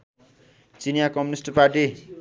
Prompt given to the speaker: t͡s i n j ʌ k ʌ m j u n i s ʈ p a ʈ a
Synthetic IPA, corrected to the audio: t͡s i n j a k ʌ m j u n i s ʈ p a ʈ i